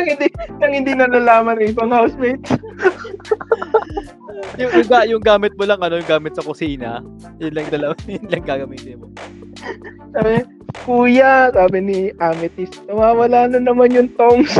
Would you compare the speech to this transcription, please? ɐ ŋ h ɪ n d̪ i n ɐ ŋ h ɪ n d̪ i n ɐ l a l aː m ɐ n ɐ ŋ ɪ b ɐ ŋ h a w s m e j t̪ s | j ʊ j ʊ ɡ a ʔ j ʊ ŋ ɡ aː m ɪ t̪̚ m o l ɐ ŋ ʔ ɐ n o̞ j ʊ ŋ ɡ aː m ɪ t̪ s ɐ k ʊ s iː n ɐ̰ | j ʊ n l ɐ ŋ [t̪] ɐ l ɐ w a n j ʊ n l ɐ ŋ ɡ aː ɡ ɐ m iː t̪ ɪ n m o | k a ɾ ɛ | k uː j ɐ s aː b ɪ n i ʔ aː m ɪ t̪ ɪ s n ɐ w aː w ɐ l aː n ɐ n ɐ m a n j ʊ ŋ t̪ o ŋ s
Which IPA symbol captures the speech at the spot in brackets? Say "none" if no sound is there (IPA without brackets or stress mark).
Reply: d̪